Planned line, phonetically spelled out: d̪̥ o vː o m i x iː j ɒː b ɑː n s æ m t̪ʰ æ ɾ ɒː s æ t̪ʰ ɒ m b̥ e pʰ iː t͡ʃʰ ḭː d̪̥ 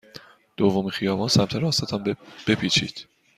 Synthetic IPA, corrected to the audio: d̪̥ o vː o m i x i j ɒː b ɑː n s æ m t̪ʰ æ ɾ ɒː s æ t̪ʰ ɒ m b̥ e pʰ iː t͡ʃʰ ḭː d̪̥